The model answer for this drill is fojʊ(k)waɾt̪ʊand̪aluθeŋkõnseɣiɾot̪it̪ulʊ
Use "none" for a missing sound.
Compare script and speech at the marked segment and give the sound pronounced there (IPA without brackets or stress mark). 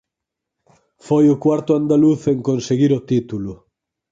k